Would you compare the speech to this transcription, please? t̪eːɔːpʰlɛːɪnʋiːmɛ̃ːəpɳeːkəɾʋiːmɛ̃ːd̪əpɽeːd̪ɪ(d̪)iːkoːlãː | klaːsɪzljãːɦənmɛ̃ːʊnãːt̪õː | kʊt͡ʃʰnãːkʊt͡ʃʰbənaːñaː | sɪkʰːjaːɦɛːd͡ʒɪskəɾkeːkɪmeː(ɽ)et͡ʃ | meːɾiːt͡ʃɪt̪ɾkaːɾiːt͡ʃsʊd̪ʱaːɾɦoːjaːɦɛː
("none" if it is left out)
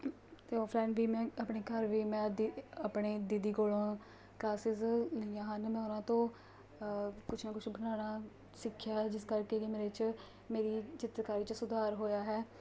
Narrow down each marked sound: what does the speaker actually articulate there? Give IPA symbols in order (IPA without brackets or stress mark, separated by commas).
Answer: d̪, ɾ